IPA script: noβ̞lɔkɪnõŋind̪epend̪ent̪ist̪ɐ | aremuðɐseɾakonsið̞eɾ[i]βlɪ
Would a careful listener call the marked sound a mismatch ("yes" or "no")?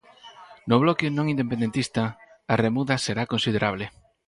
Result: yes